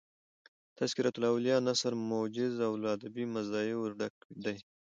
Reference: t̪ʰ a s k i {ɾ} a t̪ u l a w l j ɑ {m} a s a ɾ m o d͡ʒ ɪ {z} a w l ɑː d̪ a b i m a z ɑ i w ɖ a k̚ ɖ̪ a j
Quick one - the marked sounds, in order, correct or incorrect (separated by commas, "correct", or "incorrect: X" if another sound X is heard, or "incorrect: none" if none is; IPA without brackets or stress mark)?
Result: correct, incorrect: n, correct